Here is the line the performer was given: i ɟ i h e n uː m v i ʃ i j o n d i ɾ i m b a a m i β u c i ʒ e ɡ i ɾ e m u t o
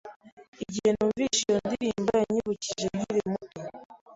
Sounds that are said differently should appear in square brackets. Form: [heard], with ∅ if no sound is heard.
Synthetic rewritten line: i ɟ i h e n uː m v i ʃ i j o n d i ɾ i m b a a [ɲ] i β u c i ʒ e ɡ i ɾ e m u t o